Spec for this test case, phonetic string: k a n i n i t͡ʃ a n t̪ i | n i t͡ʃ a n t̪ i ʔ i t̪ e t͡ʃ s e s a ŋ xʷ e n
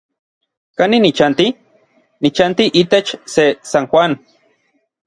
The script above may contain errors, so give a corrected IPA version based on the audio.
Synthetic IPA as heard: k a n i n i t͡ʃ a n t̪ i | n i t͡ʃ a n t̪ i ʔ i t̪ e t͡ʃ s e s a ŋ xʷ a n